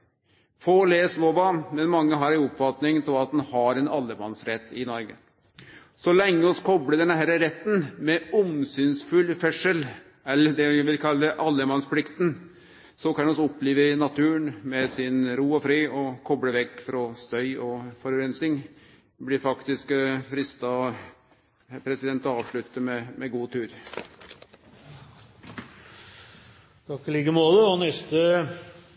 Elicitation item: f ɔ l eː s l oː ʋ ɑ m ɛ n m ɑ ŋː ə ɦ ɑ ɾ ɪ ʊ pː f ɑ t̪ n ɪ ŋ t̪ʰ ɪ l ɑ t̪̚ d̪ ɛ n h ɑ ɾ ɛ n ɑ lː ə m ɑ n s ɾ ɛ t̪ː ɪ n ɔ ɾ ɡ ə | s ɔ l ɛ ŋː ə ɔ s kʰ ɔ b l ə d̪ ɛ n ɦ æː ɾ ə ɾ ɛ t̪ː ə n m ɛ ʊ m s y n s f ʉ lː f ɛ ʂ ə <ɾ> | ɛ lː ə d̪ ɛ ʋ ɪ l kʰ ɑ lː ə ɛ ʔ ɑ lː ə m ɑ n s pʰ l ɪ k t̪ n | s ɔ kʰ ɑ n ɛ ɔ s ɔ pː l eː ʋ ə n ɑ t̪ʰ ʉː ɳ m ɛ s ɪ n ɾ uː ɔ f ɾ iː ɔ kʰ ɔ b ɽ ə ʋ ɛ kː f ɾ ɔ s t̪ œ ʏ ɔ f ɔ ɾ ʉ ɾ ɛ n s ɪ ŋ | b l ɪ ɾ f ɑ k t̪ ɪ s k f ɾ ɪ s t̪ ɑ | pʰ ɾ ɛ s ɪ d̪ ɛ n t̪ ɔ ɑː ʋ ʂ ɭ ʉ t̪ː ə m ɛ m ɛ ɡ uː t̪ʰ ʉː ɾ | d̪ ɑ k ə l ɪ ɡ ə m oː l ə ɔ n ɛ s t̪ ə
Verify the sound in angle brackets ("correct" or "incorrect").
incorrect